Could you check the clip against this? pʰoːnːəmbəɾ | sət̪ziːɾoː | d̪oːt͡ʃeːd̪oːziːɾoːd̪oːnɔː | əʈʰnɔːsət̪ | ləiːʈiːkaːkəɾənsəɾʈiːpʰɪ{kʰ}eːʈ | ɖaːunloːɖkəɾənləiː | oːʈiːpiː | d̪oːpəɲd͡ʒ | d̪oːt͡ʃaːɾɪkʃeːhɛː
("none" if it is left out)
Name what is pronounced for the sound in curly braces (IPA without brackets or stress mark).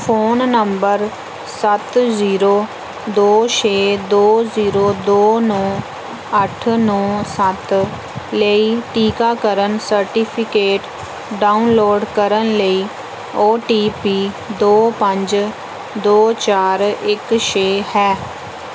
k